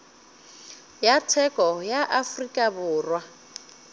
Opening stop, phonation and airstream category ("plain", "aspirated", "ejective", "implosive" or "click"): aspirated